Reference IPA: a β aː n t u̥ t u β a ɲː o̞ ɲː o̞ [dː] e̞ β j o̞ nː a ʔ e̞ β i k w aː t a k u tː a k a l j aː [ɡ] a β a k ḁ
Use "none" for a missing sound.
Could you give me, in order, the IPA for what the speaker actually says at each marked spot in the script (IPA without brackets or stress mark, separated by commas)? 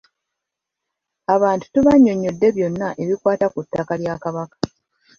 dː, k